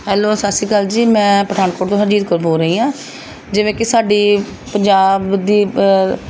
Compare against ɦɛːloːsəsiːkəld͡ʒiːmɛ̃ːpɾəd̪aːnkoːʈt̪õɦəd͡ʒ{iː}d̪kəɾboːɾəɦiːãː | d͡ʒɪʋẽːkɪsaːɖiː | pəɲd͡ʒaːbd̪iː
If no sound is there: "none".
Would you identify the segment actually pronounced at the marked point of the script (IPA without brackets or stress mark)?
iː